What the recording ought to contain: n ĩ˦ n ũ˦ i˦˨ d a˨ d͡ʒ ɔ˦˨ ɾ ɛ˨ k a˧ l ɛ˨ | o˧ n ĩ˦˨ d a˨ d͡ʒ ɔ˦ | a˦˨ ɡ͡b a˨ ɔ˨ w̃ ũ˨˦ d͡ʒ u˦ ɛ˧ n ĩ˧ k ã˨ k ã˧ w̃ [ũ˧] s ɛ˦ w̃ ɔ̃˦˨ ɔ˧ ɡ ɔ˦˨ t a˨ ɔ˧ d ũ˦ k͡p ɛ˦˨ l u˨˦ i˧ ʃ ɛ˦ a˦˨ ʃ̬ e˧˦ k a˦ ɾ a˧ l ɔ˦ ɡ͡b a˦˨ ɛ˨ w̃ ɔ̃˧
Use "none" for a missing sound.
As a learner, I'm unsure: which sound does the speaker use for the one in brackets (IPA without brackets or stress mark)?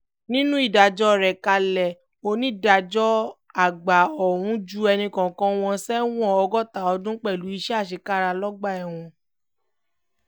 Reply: ɔ̃˧